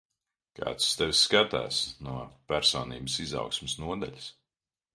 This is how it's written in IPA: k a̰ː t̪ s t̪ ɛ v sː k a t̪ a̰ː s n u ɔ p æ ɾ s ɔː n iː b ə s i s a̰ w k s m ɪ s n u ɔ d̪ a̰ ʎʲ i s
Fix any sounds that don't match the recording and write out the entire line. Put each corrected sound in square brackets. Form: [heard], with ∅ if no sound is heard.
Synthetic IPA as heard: k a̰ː t̪ s t̪ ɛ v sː k a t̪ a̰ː s n u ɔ p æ ɾ s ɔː n iː b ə s i [z] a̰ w k s m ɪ s n u ɔ d̪ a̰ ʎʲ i s